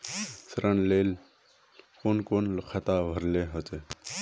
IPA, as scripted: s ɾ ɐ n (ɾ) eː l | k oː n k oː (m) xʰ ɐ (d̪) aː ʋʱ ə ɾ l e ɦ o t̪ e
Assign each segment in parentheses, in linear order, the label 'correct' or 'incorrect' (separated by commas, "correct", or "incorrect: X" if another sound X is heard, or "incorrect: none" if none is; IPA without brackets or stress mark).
incorrect: l, incorrect: n, incorrect: t̪